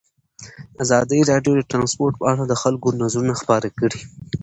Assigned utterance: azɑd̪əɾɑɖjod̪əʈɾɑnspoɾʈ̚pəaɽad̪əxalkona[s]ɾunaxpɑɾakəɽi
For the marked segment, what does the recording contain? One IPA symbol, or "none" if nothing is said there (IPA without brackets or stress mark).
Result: z